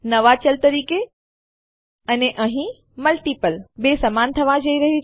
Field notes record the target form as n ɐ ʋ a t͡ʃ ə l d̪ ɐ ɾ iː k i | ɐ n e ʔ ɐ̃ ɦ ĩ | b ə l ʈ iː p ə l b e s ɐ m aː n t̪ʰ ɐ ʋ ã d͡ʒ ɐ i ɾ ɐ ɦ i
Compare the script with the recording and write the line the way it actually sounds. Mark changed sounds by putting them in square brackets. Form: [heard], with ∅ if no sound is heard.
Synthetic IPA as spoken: n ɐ ʋ a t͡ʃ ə l [t̪] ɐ ɾ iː k [e] | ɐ n e ʔ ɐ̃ ɦ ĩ | [m] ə l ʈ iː p ə l b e s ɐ m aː n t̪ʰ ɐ ʋ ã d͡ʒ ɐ i ɾ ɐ ɦ i